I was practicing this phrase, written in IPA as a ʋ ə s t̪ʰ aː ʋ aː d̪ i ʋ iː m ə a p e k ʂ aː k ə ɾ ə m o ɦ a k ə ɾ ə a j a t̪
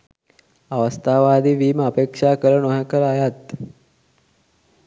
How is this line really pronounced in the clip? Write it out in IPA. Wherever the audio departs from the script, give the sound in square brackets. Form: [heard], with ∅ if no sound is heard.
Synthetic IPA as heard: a ʋ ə s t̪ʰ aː ʋ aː d̪ i ʋ iː m ə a p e k ʂ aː k ə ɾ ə [n] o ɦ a k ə ɾ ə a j a t̪